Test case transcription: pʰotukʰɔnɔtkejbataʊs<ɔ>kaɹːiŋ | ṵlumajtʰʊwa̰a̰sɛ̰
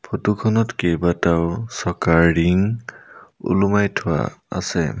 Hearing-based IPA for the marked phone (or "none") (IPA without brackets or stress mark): ɔ